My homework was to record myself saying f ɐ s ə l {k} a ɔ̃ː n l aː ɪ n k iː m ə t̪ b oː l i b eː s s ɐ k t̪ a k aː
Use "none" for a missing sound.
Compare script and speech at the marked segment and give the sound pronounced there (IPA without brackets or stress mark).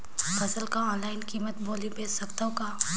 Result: k